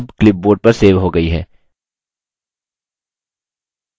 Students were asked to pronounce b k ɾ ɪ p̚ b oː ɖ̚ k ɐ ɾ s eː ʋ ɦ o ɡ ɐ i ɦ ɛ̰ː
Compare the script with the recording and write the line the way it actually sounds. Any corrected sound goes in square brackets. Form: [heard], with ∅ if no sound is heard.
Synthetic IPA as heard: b k [l] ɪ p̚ b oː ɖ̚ [p] ɐ ɾ s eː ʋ ɦ o ɡ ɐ i ɦ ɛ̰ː